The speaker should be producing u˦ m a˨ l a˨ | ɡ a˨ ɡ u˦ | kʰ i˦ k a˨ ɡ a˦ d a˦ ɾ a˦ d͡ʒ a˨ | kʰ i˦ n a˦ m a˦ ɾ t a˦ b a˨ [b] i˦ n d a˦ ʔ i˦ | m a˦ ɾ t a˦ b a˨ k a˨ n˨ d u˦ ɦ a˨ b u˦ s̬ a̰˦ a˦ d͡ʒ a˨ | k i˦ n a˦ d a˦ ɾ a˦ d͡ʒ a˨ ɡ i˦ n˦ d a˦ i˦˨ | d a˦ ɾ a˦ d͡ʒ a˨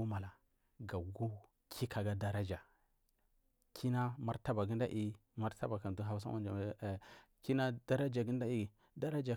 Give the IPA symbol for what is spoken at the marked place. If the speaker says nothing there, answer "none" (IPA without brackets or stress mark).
ɡ